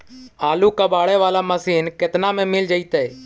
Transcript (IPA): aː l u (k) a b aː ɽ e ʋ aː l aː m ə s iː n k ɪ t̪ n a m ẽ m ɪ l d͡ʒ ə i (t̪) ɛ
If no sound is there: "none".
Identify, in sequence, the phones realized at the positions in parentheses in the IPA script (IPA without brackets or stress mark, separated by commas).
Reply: k, t̪